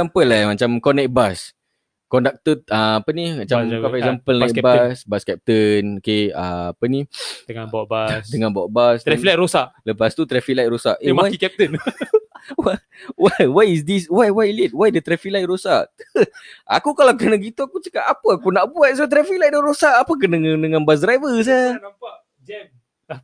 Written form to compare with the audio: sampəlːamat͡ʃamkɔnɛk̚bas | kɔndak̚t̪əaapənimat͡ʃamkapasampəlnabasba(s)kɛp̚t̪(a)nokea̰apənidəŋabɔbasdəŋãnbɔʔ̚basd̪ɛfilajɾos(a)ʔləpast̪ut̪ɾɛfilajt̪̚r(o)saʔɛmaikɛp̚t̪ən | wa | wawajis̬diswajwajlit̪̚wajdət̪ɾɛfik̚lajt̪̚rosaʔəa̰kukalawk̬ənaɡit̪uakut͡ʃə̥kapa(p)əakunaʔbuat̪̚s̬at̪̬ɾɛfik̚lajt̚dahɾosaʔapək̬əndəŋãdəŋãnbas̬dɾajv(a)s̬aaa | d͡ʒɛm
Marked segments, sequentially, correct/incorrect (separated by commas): correct, incorrect, correct, correct, correct, incorrect